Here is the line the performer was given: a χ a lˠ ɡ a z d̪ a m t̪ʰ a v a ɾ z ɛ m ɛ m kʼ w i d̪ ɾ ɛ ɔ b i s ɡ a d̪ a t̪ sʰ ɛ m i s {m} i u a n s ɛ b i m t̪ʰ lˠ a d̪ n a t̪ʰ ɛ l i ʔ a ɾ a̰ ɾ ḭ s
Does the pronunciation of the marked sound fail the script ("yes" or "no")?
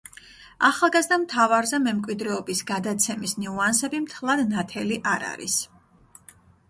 yes